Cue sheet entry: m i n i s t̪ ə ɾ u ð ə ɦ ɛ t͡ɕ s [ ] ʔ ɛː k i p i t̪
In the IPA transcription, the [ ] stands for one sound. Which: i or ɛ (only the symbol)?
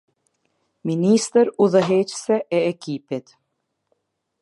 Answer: ɛ